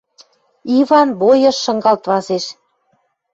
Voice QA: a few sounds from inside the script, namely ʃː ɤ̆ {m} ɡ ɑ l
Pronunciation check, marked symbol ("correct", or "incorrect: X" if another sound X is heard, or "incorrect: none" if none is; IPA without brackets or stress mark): incorrect: ŋ